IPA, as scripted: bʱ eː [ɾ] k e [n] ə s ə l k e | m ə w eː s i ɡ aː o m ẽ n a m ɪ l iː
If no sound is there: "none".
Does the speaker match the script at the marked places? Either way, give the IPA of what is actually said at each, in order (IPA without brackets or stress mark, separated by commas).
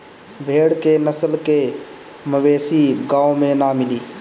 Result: ɽ, n